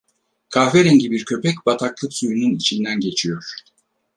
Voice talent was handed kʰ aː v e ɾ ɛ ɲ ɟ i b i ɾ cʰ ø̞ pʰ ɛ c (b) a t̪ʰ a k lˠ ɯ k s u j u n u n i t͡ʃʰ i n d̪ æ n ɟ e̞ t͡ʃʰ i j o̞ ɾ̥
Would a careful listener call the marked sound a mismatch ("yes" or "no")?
no